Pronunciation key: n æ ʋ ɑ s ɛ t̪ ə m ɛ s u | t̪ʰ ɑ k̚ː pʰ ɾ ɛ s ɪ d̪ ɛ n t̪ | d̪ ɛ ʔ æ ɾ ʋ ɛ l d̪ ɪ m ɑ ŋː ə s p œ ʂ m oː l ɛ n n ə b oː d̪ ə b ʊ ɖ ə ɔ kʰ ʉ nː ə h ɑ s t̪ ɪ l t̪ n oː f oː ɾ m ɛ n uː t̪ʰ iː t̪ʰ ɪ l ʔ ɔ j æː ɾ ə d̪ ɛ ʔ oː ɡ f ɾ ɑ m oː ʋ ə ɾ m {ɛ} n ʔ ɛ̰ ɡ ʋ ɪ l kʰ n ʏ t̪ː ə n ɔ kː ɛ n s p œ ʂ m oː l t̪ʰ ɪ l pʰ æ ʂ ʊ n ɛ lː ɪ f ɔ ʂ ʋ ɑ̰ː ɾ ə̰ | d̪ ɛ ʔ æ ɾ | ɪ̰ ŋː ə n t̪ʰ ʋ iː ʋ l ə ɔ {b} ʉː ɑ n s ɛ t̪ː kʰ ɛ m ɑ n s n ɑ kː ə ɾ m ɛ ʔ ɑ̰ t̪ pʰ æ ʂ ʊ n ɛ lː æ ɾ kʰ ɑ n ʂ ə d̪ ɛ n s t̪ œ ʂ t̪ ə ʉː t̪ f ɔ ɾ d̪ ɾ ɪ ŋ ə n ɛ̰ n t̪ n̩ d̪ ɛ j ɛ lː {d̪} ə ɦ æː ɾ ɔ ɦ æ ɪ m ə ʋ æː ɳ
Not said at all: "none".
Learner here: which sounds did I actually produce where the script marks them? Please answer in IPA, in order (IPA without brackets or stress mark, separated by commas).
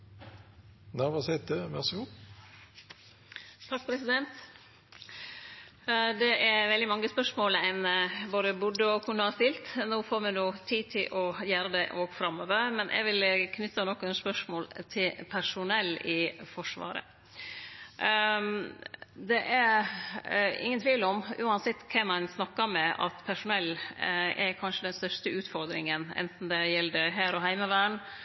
ɛ, m, d̪